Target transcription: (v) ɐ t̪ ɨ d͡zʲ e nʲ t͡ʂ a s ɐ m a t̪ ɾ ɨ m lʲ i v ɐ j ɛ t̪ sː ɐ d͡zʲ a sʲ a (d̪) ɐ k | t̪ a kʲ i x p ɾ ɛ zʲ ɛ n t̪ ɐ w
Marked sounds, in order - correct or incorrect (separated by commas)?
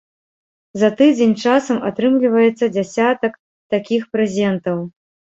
incorrect, incorrect